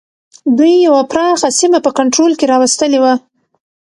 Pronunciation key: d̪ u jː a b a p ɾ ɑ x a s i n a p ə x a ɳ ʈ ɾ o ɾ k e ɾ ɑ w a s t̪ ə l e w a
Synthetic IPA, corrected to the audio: d̪ u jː a w a p ɾ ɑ x a s i m a p ə k a ɳ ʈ ɾ o l k e ɾ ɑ w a s t̪ ə l e w a